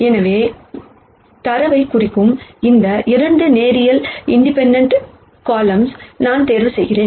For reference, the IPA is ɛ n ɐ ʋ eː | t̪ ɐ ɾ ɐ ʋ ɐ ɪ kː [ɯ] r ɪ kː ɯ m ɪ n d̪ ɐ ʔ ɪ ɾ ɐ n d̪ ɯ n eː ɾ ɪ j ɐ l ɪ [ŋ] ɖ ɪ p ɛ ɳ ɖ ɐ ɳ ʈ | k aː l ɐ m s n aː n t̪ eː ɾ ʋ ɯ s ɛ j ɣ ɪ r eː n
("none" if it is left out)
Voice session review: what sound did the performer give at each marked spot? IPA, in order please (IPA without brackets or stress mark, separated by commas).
ʊ, ɳ